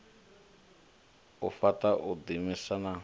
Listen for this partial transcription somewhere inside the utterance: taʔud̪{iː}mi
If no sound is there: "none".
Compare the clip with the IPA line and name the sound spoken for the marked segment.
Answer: i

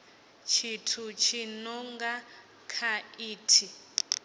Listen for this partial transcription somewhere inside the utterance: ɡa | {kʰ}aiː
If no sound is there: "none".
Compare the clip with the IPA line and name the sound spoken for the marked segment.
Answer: kʰ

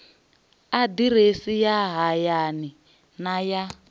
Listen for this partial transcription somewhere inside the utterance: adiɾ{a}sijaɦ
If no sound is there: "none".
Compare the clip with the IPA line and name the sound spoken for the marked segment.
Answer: e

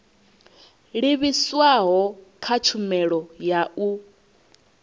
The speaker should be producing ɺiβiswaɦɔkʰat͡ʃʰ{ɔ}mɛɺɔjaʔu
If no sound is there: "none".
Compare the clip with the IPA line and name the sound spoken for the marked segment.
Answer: u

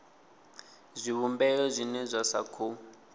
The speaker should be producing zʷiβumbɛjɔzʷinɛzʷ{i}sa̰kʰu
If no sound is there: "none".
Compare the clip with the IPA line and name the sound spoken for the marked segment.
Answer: a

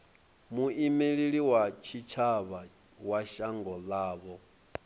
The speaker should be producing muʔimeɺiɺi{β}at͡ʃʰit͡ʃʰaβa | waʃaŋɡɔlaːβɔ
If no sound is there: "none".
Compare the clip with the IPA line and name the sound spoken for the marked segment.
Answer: w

